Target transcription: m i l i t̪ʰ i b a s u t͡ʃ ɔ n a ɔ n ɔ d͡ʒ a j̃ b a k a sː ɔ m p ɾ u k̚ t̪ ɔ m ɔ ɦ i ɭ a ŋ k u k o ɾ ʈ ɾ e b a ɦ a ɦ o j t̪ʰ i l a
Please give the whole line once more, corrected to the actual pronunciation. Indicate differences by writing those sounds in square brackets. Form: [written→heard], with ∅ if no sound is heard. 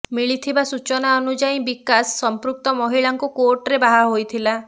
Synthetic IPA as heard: m i [l→ɭ] i t̪ʰ i b a s u t͡ʃ ɔ n a ɔ n [ɔ→u] d͡ʒ a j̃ b [a→i] k a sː ɔ m p ɾ u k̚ t̪ ɔ m ɔ ɦ i ɭ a ŋ k u k o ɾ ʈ ɾ e b a ɦ a ɦ o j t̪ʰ i l a

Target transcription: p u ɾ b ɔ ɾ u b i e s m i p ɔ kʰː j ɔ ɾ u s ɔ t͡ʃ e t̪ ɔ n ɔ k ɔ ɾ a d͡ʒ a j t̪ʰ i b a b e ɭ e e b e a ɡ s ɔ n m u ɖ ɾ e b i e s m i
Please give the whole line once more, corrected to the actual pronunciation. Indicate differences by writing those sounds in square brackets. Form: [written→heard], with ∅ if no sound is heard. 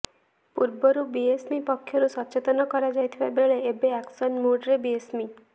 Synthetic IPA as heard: p u ɾ b ɔ ɾ u b i e s m i p ɔ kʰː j ɔ ɾ u s ɔ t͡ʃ e t̪ ɔ n ɔ k ɔ ɾ a d͡ʒ a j t̪ʰ i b a b e ɭ e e b e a [ɡ→k] s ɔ n m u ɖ ɾ e b i e s m i

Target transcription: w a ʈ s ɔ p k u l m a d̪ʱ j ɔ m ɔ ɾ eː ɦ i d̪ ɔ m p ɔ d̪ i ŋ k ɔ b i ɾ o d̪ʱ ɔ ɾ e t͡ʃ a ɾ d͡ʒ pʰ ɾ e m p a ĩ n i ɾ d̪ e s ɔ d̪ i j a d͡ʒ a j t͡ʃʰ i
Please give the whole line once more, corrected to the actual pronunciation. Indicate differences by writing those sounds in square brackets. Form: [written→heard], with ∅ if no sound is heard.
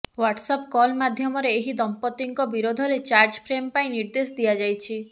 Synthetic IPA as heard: w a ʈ s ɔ p k [u→ɔ] l m a d̪ʱ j ɔ m ɔ ɾ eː ɦ i d̪ ɔ m p ɔ [d̪→t̪] i ŋ k ɔ b i ɾ o d̪ʱ ɔ ɾ e t͡ʃ a ɾ d͡ʒ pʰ ɾ e m p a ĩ n i ɾ d̪ e s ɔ d̪ i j a d͡ʒ a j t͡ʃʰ i

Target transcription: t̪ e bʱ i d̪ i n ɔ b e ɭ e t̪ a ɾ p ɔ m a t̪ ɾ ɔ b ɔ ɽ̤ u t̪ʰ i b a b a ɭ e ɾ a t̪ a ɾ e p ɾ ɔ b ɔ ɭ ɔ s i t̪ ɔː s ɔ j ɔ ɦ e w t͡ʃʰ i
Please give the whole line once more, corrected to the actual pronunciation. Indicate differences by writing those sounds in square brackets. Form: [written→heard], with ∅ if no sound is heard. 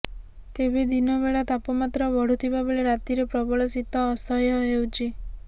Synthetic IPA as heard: t̪ e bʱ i d̪ i n ɔ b e ɭ [e→a] t̪ a [ɾ→∅] p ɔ m a t̪ ɾ ɔ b ɔ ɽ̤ u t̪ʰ i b a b [a→e] ɭ e ɾ a t̪ [a→i] ɾ e p ɾ ɔ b ɔ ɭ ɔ s i t̪ ɔː s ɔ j ɔ ɦ e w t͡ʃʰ i

